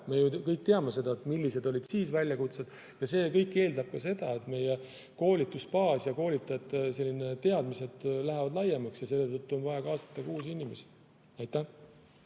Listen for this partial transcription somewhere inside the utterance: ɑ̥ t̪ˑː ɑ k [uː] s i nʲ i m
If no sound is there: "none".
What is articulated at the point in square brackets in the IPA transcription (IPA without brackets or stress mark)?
uː